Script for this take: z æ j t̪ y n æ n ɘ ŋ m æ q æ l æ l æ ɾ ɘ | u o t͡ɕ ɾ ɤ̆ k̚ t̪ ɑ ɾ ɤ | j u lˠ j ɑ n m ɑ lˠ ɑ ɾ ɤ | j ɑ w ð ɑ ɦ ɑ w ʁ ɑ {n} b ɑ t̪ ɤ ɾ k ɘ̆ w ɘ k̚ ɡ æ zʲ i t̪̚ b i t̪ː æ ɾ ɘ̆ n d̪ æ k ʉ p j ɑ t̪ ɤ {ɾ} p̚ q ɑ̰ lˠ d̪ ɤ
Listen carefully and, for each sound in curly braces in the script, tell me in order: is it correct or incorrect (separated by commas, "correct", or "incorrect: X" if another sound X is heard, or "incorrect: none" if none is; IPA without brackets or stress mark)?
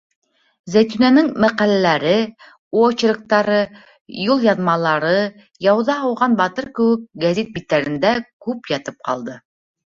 correct, incorrect: none